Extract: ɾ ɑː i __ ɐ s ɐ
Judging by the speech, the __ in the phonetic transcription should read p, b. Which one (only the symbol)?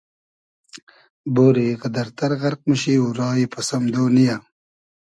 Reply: p